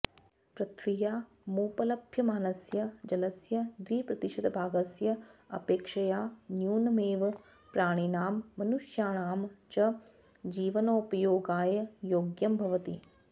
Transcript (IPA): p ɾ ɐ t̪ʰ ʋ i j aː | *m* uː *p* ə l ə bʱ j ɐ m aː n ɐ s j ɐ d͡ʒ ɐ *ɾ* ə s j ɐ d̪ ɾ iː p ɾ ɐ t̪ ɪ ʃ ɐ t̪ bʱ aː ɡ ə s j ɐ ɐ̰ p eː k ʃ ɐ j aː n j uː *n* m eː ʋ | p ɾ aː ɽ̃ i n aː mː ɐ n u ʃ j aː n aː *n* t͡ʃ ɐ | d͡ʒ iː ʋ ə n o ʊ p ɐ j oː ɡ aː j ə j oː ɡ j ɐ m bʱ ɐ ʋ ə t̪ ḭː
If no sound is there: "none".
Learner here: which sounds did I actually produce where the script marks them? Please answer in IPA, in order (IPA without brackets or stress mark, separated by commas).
m, p, l, n, m